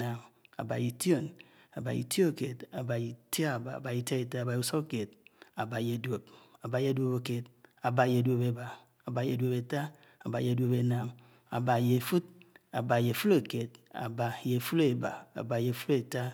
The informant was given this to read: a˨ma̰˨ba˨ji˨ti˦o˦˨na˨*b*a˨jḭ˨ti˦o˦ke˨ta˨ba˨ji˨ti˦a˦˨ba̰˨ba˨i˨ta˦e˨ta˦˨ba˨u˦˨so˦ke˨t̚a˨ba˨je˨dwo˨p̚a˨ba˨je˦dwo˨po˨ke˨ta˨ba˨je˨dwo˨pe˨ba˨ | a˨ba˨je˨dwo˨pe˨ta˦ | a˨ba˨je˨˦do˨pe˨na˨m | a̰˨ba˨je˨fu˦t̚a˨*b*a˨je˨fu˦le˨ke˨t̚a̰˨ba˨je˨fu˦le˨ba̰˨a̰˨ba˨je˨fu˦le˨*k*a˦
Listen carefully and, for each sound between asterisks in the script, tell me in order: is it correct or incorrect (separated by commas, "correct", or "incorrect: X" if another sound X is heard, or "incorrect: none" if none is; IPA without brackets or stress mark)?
correct, correct, incorrect: t